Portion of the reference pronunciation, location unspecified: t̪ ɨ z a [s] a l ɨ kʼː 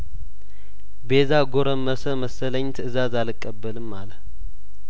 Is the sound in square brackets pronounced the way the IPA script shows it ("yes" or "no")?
no